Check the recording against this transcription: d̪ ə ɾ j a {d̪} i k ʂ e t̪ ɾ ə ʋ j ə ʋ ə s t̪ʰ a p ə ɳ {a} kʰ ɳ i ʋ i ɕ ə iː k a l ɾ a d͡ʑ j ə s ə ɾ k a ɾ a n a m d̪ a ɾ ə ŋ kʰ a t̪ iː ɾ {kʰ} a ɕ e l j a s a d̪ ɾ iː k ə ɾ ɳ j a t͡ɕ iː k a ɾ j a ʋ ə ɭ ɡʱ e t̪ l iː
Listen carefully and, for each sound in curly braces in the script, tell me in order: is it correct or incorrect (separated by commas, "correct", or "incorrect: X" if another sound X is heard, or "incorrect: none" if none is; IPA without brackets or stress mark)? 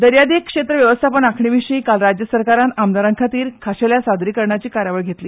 correct, correct, correct